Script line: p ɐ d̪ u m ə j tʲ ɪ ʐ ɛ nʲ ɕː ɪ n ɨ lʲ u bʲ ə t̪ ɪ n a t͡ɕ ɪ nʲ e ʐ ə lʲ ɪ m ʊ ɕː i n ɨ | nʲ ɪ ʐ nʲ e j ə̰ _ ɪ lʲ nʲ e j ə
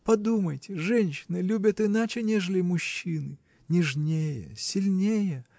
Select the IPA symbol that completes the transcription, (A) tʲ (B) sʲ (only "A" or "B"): B